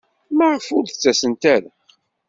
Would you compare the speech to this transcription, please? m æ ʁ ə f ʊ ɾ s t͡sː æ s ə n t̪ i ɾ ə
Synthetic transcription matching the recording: m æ ʁ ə f ʊ ɾ θ t͡sː æ s ə n t̪ æ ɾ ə